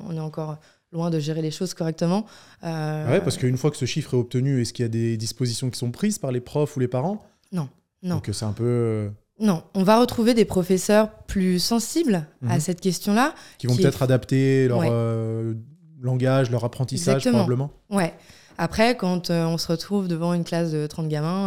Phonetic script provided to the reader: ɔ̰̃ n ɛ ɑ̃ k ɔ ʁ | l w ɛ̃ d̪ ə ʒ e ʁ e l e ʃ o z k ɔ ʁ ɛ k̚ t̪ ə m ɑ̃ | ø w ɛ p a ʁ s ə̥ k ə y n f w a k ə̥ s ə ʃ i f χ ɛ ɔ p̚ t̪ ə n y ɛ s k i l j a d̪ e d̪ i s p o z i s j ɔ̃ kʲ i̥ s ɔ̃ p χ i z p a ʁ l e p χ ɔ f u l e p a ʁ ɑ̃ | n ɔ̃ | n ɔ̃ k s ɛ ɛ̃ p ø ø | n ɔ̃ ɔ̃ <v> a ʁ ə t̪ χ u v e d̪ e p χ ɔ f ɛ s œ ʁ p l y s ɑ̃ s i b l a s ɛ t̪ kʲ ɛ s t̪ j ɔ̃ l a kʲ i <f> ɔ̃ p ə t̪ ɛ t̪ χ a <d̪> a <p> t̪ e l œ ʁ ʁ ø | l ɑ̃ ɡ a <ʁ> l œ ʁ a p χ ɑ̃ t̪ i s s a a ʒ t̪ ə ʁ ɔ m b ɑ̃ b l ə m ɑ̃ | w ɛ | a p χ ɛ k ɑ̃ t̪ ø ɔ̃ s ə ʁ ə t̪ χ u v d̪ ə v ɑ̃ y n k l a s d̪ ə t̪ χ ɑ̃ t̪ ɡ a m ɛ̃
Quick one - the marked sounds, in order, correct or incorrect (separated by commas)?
correct, incorrect, correct, correct, incorrect